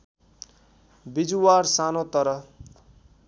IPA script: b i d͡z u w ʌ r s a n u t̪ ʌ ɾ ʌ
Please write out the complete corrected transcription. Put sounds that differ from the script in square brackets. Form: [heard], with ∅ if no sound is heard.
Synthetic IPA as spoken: b i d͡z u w [a] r s a n [o] t̪ ʌ ɾ ʌ